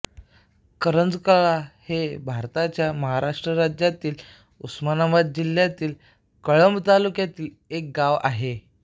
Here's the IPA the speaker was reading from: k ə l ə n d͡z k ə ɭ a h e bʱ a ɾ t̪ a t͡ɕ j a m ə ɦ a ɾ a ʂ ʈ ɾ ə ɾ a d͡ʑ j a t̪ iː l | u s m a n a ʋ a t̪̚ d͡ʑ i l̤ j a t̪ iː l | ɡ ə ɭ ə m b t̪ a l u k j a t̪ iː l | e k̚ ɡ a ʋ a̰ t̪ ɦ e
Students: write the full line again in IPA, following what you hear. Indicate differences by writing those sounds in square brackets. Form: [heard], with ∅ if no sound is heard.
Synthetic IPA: k ə [ɾ] ə n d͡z k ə ɭ a h e bʱ a ɾ t̪ a t͡ɕ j a m ə ɦ a ɾ a ʂ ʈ ɾ ə ɾ a d͡ʑ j a t̪ iː l | u s m a n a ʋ a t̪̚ d͡ʑ i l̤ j a t̪ iː l | [k] ə ɭ ə m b t̪ a l u k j a t̪ iː l | e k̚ ɡ a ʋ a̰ [∅] ɦ e